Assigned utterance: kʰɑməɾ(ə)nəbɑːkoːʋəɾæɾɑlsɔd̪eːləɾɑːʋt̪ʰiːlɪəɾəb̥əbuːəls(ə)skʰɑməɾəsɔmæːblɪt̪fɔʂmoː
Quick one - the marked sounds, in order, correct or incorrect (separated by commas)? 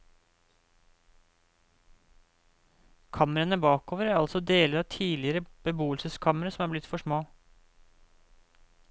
correct, correct